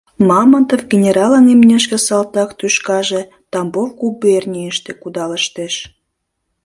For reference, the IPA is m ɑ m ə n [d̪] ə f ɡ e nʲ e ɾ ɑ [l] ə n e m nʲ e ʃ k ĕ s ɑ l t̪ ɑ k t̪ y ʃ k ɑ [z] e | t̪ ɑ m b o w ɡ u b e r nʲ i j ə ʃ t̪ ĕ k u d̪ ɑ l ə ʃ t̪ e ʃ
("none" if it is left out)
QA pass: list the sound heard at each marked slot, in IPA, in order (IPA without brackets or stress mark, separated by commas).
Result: t̪, l, ʒ